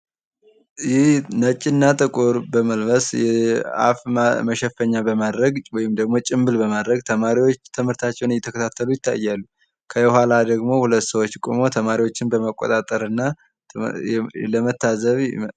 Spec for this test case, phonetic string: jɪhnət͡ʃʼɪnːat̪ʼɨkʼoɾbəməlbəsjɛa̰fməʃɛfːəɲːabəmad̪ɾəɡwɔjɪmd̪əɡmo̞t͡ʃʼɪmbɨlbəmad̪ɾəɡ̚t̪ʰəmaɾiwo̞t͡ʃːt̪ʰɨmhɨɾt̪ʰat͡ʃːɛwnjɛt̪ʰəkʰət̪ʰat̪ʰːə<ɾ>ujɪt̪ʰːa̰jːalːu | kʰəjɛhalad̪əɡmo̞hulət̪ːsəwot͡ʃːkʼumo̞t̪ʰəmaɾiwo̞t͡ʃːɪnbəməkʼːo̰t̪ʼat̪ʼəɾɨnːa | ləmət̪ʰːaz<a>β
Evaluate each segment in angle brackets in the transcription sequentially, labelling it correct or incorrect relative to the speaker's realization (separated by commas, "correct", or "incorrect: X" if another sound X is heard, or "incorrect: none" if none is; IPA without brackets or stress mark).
incorrect: l, incorrect: ə